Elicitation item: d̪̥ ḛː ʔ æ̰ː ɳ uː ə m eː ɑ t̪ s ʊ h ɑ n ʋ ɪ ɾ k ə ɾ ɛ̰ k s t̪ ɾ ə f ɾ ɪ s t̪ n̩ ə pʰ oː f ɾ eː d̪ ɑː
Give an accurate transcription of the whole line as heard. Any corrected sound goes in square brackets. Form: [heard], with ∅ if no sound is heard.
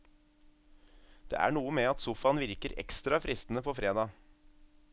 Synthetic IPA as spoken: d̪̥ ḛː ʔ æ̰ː ɳ uː ə m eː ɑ t̪ s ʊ [f] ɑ n ʋ ɪ ɾ k ə ɾ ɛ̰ k s t̪ ɾ [ɑ] f ɾ ɪ s t̪ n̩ ə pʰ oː f ɾ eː d̪ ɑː